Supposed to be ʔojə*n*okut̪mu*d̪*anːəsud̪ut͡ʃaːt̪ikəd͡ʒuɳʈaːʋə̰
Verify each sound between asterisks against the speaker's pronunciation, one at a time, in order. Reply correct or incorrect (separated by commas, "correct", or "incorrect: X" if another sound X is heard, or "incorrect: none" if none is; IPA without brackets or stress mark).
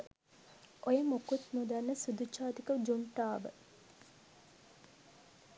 incorrect: m, correct